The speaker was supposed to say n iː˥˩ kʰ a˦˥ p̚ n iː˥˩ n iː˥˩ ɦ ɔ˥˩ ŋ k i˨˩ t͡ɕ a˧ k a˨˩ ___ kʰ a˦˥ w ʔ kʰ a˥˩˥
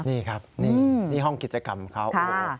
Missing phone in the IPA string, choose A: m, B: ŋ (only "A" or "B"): A